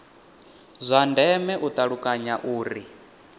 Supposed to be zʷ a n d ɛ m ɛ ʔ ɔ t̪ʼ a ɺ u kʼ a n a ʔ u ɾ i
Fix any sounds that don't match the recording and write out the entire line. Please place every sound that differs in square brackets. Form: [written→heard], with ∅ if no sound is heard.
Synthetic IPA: zʷ a n d ɛ m ɛ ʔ [ɔ→u] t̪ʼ a ɺ u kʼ a [n→ɲ] a ʔ [u→uː] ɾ i